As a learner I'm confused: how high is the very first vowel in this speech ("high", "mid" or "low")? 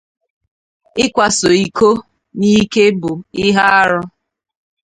high